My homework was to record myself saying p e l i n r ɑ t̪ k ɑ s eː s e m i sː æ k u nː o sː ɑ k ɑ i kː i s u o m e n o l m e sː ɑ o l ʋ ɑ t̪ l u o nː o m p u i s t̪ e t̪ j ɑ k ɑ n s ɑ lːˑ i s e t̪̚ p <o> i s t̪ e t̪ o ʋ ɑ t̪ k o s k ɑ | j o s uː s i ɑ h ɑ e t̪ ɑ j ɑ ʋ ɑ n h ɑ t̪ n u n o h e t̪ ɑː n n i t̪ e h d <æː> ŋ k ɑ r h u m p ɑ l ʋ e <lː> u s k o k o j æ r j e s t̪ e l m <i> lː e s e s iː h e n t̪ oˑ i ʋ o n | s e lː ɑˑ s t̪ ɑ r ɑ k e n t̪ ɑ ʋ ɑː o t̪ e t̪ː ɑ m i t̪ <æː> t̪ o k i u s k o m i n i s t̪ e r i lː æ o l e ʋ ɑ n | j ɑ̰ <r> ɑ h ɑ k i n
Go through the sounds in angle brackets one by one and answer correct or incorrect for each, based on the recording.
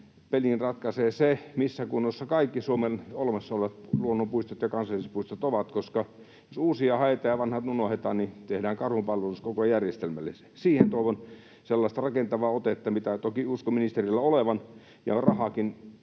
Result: incorrect: u, correct, incorrect: l, incorrect: æ, incorrect: æ, correct

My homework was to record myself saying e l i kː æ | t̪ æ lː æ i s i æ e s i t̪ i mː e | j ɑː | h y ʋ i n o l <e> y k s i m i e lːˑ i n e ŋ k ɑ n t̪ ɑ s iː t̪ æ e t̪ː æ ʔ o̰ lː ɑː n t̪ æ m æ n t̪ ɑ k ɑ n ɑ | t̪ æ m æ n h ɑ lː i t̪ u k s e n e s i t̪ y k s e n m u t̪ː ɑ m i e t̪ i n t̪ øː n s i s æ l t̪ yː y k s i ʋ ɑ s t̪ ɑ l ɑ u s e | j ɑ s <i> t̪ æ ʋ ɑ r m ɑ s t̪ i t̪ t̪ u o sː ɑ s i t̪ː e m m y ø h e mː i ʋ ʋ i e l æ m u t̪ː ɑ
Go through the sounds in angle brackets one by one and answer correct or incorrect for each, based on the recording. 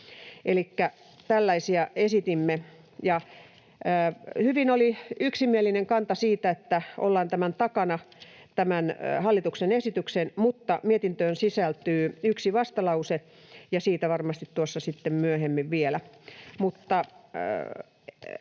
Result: incorrect: i, incorrect: iː

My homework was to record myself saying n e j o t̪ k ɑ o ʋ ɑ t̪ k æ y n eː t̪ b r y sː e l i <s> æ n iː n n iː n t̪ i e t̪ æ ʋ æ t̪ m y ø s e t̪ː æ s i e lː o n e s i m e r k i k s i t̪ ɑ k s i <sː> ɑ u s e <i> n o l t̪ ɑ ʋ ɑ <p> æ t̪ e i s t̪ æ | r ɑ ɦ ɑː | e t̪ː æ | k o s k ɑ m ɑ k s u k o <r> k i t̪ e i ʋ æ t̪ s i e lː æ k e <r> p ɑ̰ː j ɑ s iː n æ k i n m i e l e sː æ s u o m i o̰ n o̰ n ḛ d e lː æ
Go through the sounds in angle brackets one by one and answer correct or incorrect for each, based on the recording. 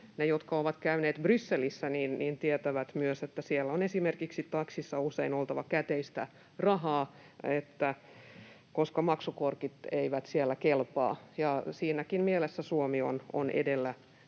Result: incorrect: sː, correct, correct, incorrect: k, correct, incorrect: l

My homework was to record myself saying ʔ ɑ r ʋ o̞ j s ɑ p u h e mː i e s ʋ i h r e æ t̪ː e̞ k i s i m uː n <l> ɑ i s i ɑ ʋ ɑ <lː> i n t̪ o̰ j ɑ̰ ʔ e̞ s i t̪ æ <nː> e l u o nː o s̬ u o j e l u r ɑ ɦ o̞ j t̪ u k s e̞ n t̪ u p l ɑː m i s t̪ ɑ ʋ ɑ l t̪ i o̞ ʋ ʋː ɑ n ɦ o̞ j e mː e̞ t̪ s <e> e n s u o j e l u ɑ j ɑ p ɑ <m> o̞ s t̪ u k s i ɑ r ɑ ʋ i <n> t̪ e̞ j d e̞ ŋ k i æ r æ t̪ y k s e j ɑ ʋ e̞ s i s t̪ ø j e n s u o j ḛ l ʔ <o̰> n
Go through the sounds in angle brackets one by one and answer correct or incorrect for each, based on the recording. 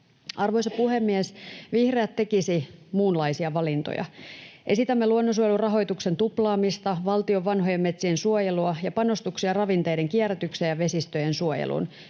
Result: correct, incorrect: l, incorrect: mː, incorrect: i, incorrect: n, correct, incorrect: ṵ

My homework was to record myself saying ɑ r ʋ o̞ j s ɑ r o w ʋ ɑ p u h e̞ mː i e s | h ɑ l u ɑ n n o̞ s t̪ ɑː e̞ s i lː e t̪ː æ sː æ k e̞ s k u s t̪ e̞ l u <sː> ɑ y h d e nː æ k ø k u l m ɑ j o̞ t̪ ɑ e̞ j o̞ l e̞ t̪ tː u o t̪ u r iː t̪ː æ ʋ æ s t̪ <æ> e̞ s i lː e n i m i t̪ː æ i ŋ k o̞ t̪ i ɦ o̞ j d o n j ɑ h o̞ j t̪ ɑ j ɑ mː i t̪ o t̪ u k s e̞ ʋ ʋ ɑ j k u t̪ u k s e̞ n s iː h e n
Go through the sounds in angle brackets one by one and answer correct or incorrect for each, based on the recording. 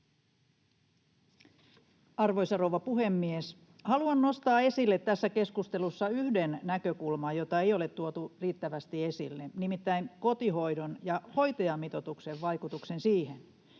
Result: correct, incorrect: i

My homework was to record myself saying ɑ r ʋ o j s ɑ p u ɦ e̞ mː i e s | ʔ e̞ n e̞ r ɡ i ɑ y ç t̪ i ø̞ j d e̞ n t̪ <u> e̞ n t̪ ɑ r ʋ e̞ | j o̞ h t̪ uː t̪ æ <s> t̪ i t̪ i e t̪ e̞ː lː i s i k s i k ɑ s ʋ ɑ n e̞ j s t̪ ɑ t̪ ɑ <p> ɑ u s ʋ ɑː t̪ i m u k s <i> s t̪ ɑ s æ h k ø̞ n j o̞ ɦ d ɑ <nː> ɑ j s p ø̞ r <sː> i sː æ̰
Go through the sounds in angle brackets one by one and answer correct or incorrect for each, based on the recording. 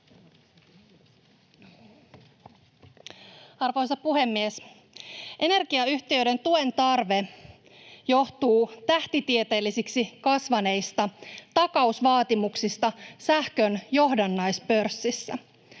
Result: correct, incorrect: h, incorrect: k, correct, correct, correct

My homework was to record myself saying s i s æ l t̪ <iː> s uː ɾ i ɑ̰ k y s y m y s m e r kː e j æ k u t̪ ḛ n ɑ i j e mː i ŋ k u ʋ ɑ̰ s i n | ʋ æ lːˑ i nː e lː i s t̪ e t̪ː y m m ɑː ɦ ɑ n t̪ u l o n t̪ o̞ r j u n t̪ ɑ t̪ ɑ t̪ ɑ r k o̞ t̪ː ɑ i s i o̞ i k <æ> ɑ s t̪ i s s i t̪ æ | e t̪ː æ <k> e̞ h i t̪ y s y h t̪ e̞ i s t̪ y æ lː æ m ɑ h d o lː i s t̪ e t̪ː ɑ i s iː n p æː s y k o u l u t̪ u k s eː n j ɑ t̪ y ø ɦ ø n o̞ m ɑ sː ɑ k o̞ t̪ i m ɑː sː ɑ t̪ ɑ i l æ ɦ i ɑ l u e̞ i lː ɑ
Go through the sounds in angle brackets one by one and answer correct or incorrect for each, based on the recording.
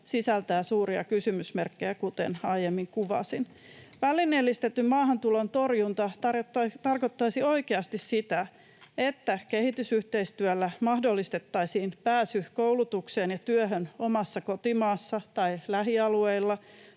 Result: incorrect: æː, incorrect: e, correct

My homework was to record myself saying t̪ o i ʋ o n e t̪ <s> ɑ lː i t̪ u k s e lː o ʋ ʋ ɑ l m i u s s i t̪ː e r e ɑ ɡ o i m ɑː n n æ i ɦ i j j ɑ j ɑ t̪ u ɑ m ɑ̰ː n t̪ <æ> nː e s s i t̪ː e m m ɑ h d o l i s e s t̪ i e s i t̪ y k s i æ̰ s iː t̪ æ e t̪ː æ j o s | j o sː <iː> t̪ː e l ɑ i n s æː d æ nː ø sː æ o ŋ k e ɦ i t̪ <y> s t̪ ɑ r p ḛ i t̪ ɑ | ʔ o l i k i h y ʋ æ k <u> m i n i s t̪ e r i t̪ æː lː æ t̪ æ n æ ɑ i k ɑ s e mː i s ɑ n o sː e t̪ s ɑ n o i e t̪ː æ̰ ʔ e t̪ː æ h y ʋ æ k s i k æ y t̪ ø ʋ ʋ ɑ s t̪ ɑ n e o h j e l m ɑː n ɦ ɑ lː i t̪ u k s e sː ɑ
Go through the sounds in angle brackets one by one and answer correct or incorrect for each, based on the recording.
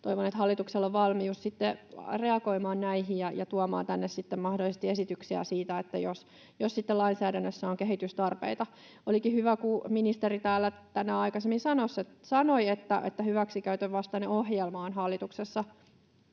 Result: incorrect: h, correct, incorrect: i, correct, correct

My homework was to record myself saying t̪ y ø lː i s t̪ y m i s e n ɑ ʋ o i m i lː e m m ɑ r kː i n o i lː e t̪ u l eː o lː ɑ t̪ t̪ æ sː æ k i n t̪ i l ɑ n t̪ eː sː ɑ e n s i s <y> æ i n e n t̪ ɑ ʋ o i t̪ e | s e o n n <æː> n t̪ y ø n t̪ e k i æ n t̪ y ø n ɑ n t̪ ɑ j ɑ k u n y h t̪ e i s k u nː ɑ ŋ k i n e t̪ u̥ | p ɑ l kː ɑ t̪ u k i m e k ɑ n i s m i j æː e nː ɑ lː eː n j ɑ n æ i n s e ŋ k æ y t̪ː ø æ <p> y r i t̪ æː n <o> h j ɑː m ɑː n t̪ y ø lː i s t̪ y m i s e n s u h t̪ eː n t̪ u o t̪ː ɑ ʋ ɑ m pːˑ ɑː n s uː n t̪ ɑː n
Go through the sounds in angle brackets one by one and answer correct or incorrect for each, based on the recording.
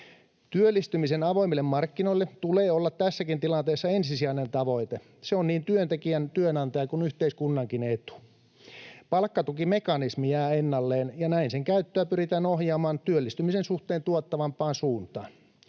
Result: incorrect: i, incorrect: iː, correct, correct

